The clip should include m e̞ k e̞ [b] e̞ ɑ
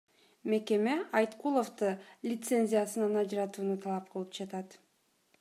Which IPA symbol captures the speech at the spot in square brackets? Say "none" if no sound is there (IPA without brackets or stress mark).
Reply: m